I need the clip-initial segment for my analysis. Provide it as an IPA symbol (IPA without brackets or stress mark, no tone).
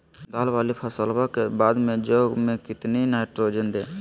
d̪